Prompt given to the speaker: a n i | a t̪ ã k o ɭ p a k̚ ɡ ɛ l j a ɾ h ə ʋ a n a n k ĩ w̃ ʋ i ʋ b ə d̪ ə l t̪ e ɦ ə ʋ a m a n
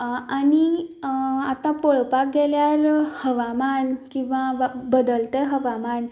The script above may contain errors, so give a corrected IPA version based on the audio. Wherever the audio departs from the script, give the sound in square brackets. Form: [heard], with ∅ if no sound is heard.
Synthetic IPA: a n i | a t̪ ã [p] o ɭ p a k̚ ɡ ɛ l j a ɾ h ə ʋ a [m] a n k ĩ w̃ ʋ [a] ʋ b ə d̪ ə l t̪ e ɦ ə ʋ a m a n

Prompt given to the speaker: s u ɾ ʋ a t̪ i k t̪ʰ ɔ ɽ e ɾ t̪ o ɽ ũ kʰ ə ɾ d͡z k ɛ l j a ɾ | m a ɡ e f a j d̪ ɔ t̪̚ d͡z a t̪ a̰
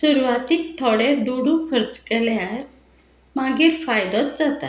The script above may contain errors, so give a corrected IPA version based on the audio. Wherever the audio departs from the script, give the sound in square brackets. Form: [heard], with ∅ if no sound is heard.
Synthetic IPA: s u ɾ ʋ a t̪ i k t̪ʰ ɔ ɽ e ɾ [d̪] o ɽ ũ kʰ ə ɾ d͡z k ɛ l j a ɾ | m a ɡ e f a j d̪ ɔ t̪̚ d͡z a t̪ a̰

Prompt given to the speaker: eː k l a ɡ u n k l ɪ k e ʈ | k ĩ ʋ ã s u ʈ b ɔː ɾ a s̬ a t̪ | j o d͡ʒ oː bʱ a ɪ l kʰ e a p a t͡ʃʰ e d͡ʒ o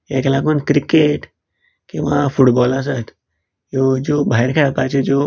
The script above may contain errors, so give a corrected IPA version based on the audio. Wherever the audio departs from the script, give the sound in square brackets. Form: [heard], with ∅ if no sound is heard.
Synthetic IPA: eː k l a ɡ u n k [ɾ] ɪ k e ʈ | k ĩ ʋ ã [f] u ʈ b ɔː [l] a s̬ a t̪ | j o d͡ʒ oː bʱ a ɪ [ɾ] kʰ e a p a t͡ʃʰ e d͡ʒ o

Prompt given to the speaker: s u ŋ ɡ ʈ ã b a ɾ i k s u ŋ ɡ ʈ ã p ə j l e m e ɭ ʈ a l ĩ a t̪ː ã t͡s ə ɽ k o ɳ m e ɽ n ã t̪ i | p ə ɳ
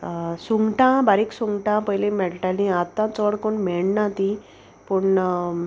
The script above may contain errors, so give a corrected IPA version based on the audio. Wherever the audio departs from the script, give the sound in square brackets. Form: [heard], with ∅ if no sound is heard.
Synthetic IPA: s u ŋ ɡ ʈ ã b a ɾ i k s u ŋ ɡ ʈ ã p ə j l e m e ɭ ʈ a l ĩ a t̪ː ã t͡s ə ɽ k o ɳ m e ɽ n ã t̪ i | p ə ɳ

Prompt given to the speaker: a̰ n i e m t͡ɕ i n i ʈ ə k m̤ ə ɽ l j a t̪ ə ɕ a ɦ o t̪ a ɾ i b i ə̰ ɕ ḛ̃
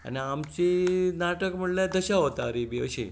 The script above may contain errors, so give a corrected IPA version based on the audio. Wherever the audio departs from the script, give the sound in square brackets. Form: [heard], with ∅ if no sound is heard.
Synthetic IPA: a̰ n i [a] m t͡ɕ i n [a] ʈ ə k m̤ ə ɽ l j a [d̪] ə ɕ a ɦ o t̪ a ɾ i b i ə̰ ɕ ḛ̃

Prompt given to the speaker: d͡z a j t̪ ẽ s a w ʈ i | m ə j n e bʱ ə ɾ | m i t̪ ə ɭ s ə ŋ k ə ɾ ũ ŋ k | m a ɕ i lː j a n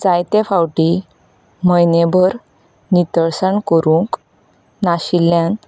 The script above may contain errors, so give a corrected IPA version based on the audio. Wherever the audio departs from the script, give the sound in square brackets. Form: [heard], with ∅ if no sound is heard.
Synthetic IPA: d͡z a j t̪ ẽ [f] a w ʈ i | m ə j n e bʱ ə ɾ | [n] i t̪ ə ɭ s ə [ɳ] k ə ɾ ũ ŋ k | [n] a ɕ i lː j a n

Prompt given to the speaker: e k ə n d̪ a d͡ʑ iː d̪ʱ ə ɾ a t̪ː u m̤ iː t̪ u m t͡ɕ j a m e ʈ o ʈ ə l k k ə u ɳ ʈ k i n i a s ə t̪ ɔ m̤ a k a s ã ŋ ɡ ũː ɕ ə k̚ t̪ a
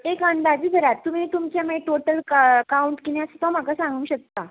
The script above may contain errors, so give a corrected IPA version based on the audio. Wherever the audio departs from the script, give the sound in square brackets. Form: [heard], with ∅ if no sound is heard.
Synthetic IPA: e k ə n d̪ a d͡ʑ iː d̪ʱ ə ɾ a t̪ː u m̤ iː t̪ u m t͡ɕ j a m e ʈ o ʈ ə l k k [a] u ɳ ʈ k i n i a s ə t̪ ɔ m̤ a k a s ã ŋ ɡ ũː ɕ ə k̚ t̪ a

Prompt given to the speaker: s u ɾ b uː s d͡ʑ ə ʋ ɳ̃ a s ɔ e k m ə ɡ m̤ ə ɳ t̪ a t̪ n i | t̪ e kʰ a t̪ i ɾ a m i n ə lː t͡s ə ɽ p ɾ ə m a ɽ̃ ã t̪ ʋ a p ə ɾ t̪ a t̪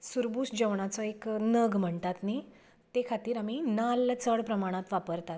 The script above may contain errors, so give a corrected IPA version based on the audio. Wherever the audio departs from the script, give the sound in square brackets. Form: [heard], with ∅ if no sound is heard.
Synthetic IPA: s u ɾ b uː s d͡ʑ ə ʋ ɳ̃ a [t͡s] ɔ e k [n] ə ɡ m̤ ə ɳ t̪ a t̪ n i | t̪ e kʰ a t̪ [iː] ɾ a m i n [a] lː t͡s ə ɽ p ɾ ə m a ɽ̃ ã t̪ ʋ a p ə ɾ t̪ a t̪

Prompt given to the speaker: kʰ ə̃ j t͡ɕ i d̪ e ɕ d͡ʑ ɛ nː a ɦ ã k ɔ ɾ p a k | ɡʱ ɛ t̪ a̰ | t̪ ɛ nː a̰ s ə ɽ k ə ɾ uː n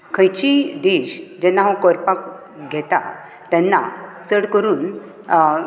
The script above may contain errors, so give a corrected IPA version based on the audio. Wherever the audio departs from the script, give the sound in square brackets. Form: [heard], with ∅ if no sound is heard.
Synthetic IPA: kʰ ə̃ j t͡ɕ i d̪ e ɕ d͡ʑ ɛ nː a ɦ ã k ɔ ɾ p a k | ɡʱ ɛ t̪ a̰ | t̪ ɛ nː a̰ [t͡s] ə ɽ k ə ɾ uː n

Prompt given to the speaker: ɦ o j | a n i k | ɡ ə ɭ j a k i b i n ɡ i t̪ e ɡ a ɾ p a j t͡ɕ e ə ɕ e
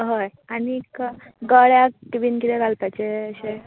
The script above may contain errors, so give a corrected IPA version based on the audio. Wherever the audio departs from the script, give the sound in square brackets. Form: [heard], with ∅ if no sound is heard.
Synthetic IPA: ɦ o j | a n i k | ɡ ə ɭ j a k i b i n [k] i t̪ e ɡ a [l] p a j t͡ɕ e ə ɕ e

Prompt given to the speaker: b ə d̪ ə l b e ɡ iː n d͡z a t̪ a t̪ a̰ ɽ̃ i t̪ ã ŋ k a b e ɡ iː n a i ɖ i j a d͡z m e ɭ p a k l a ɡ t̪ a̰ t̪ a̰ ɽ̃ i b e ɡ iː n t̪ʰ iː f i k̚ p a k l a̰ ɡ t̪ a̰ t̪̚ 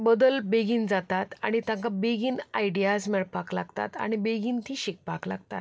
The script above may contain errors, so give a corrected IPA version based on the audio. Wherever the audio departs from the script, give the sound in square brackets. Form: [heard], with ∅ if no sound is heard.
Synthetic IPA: b ə d̪ ə l b e ɡ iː n d͡z a t̪ a t̪ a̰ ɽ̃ i t̪ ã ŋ k a b e ɡ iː n a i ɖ i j a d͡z m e ɭ p a k l a ɡ t̪ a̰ t̪ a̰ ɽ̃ i b e ɡ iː n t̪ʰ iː [ɕ] i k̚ p a k l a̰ ɡ t̪ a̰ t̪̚

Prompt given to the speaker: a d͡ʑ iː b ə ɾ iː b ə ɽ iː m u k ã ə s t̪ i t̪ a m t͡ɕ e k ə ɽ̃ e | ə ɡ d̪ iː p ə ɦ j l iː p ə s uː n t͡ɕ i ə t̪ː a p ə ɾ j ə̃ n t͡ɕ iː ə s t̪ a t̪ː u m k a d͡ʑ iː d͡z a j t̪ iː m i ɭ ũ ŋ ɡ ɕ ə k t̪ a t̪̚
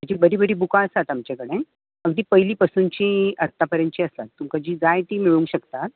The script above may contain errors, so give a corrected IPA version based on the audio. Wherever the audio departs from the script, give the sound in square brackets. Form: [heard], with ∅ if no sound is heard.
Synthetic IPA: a d͡ʑ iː b ə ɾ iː b ə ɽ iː [b] u k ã ə s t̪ [a] t̪ a m t͡ɕ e k ə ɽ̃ e | ə ɡ d̪ iː p ə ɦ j l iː p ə s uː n t͡ɕ i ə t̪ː a p ə ɾ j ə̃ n t͡ɕ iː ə s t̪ a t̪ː u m k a d͡ʑ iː d͡z a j t̪ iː m i ɭ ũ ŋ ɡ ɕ ə k t̪ a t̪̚

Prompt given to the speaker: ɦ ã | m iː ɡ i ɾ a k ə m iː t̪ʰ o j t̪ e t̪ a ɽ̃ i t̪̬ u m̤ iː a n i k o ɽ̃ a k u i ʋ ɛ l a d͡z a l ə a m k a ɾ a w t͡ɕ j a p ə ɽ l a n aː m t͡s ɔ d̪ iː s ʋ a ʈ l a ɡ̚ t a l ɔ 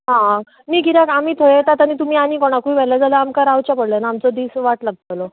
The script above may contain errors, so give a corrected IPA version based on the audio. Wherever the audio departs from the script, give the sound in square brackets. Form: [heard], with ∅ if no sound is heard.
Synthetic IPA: ɦ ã | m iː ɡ i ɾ a k [a] m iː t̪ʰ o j t̪ [a] t̪ a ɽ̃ i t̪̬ u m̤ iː a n i k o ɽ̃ a k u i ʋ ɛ l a d͡z a l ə a m k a ɾ a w t͡ɕ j a p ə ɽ l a n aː m t͡s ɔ d̪ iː s ʋ a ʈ l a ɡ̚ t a l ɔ

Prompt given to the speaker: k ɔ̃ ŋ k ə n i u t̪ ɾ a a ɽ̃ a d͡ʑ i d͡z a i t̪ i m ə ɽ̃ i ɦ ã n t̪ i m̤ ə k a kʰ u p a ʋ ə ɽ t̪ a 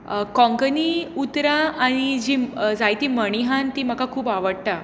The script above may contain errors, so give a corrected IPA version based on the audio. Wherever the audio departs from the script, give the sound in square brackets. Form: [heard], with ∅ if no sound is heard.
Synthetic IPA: k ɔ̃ ŋ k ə n i u t̪ ɾ a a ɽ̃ [i] d͡ʑ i d͡z a [j] t̪ i m ə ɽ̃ i ɦ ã n t̪ i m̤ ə k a kʰ [uː] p a ʋ ə ɽ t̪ a

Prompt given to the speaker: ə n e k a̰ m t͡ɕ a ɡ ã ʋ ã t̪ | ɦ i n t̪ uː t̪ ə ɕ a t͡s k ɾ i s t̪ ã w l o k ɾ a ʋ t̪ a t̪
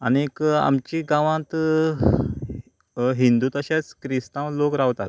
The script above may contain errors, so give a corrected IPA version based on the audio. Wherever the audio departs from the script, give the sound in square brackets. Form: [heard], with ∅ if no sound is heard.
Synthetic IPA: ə n e k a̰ m t͡ɕ [i] ɡ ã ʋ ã t̪ | ɦ i n [d̪] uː t̪ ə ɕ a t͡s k ɾ i s t̪ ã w l o k ɾ a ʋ t̪ a t̪

